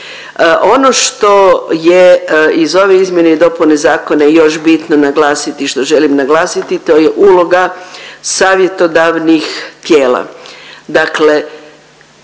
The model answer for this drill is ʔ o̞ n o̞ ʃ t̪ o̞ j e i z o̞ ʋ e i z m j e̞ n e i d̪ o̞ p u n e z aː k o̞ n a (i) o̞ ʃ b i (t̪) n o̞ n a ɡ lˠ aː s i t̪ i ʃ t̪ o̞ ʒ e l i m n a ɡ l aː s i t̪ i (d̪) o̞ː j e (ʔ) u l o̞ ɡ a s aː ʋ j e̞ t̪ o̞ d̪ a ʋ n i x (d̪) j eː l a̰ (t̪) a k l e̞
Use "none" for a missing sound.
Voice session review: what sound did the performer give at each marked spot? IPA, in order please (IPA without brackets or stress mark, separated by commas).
j, t̪, t̪, ʔ, t̪, d̪